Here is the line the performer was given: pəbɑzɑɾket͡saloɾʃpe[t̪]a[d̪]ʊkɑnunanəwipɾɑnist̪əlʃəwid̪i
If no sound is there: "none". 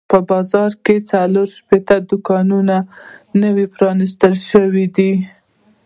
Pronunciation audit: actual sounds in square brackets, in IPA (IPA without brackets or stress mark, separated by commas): t̪, d̪